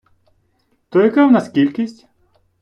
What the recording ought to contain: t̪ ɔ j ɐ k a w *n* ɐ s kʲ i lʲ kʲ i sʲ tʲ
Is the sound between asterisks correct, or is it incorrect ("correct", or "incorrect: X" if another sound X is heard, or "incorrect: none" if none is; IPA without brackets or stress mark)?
correct